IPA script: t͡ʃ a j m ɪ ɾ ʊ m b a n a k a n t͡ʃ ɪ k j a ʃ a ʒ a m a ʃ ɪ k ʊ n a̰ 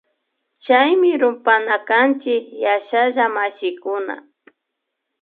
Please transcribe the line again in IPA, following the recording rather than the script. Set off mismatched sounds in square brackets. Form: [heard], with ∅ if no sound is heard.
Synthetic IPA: t͡ʃ a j m ɪ ɾ ʊ m [p] a n a k a n t͡ʃ ɪ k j a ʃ a ʒ a m a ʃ ɪ k ʊ n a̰